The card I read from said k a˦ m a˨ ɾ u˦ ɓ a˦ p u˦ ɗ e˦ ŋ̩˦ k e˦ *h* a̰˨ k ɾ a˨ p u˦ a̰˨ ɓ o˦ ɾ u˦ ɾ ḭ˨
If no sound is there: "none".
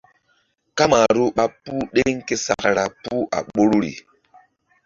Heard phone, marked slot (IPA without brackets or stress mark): s